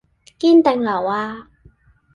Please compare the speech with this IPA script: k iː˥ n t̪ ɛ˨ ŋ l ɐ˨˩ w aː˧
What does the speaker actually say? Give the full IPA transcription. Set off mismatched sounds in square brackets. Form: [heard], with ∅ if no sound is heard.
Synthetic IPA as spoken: k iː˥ n t̪ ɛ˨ ŋ l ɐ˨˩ w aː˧